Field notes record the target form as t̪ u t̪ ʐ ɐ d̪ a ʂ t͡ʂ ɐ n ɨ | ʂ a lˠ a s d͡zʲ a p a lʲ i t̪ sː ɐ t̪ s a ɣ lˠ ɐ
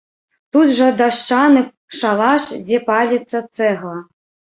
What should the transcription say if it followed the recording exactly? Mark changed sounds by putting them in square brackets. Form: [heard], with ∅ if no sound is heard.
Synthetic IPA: t̪ u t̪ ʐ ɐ d̪ a ʂ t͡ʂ [a] n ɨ | ʂ a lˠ a [ʂ] d͡zʲ [ɛ] p a lʲ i t̪ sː ɐ t̪ s [ɛ] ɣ lˠ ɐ